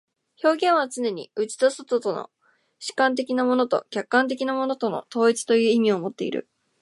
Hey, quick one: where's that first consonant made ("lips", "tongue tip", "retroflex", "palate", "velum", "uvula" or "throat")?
palate